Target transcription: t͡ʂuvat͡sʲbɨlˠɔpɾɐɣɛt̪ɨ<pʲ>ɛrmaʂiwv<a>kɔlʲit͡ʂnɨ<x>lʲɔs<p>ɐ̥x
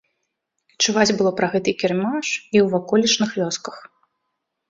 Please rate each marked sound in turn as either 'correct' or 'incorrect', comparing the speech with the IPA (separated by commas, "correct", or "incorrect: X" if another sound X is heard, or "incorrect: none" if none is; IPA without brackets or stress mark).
incorrect: kʲ, correct, correct, incorrect: k